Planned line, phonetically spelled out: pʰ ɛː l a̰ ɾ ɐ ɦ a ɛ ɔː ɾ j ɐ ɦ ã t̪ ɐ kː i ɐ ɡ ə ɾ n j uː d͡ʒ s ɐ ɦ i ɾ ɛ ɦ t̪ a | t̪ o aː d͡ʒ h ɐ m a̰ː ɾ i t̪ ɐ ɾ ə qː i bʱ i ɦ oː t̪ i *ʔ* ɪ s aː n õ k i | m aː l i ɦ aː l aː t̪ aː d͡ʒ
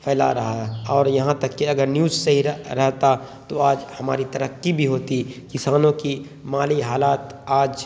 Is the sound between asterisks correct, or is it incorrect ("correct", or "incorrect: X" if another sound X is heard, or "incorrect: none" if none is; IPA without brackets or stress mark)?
incorrect: k